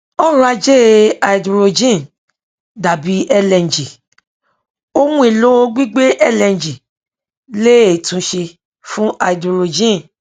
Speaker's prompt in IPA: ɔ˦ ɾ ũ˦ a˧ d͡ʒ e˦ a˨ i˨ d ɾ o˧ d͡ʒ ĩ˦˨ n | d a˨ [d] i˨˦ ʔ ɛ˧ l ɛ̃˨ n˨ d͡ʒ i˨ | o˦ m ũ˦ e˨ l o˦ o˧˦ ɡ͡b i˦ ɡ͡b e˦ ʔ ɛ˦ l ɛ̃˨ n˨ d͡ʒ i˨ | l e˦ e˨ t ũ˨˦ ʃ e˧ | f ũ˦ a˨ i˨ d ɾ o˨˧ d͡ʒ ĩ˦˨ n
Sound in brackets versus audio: incorrect: b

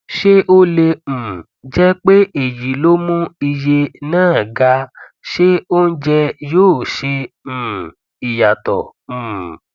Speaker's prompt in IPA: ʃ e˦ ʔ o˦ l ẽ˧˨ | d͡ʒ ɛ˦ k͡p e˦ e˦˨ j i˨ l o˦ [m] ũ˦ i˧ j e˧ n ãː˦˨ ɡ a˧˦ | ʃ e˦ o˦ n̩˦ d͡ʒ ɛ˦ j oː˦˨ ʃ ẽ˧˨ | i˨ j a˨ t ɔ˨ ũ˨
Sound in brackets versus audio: correct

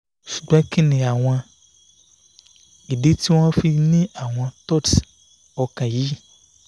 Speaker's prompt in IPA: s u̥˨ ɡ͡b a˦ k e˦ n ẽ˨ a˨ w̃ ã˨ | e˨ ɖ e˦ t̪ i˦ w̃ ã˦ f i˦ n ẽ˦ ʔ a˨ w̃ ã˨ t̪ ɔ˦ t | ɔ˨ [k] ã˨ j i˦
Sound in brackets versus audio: correct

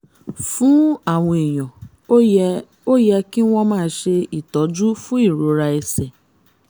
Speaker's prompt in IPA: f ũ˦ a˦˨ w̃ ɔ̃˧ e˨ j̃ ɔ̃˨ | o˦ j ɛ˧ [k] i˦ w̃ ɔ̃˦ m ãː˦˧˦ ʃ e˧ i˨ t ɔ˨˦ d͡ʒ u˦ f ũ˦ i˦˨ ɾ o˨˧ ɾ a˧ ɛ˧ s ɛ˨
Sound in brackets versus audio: correct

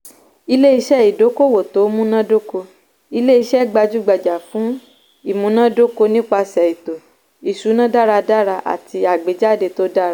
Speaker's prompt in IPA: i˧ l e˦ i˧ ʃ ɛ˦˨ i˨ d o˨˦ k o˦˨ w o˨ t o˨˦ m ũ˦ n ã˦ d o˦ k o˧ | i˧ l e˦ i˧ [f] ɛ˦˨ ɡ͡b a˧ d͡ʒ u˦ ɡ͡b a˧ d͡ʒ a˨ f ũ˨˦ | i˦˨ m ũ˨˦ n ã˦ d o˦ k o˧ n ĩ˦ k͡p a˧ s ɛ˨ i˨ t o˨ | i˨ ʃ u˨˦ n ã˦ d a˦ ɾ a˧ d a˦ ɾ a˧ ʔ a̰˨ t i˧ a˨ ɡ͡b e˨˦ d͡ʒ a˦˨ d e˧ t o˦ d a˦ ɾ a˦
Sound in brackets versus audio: incorrect: ʃ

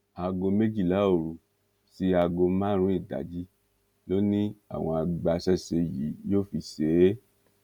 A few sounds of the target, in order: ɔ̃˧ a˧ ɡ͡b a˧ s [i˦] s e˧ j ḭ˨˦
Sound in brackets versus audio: incorrect: ɛ˦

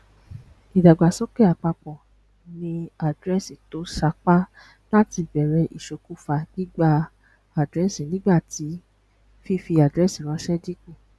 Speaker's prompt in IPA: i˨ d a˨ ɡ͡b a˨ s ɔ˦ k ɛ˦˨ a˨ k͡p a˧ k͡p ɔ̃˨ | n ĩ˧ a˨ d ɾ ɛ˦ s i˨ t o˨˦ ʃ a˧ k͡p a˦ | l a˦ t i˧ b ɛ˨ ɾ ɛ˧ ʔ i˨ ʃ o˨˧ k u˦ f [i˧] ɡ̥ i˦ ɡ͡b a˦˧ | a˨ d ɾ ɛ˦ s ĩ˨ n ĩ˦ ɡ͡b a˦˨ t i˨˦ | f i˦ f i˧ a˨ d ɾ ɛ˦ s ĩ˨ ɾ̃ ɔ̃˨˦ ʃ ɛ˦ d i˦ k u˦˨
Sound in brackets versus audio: incorrect: a˧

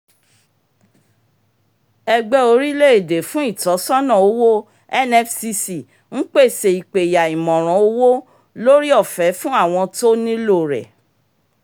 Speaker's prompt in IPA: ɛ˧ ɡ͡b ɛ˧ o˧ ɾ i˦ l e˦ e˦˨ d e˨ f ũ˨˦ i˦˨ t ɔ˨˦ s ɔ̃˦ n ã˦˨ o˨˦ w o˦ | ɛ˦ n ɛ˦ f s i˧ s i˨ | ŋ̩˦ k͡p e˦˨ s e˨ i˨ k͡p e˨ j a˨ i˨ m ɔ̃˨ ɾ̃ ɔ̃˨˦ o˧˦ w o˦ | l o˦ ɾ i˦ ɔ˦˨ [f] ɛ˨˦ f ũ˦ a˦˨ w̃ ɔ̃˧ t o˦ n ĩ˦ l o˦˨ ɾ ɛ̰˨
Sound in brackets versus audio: correct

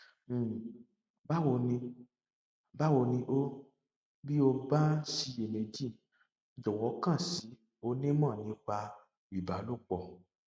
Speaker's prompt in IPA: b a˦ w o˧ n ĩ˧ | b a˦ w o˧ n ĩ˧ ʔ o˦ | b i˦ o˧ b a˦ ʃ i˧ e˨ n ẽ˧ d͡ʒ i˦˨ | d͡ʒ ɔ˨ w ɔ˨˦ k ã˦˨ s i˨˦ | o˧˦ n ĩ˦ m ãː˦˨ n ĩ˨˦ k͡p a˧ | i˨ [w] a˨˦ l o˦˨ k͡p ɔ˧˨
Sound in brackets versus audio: incorrect: b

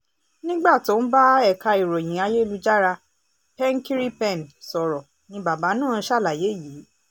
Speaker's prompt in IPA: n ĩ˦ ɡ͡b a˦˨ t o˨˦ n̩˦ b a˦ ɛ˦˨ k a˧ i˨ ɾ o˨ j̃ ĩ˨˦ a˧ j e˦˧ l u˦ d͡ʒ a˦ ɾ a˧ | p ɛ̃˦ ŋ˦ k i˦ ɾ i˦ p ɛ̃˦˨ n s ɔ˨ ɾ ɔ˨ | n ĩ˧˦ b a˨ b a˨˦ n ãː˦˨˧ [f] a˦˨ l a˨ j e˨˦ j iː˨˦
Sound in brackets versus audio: incorrect: ʃ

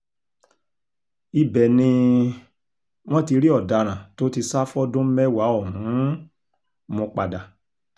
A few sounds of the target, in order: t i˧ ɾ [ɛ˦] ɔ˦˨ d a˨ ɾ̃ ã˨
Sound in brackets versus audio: incorrect: i˦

